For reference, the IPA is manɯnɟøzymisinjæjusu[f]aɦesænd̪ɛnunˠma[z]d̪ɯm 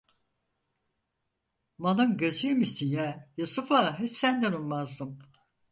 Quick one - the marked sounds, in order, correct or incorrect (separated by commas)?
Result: correct, correct